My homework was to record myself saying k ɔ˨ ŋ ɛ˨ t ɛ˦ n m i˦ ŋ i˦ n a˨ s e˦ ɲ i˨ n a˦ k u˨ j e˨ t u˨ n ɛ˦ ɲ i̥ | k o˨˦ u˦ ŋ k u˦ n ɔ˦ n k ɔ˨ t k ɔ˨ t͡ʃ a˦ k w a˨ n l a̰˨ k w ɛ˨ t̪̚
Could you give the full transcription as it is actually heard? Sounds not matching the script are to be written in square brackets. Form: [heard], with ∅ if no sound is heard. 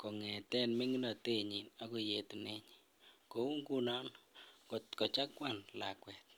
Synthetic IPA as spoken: k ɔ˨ ŋ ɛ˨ t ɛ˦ n m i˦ ŋ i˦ n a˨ [t] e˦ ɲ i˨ n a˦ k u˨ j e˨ t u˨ n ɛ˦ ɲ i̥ | k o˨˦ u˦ ŋ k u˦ n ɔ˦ n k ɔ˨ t k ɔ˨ t͡ʃ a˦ k w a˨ n l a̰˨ k w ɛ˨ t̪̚